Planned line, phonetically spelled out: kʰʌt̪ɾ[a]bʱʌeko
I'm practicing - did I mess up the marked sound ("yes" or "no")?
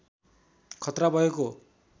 no